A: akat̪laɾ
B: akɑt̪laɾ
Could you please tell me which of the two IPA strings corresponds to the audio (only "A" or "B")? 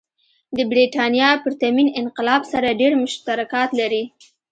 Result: B